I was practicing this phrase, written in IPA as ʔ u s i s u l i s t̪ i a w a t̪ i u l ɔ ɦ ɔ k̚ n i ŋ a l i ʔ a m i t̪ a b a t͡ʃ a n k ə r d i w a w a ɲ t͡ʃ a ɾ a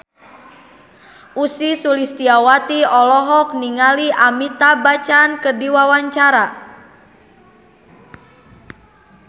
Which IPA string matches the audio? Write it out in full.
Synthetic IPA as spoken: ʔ u s i s u l i s t̪ i a w a t̪ i ɔ l ɔ ɦ ɔ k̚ n i ŋ a l i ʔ a m i t̪ a b a t͡ʃ a n k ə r d i w a w a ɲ t͡ʃ a ɾ a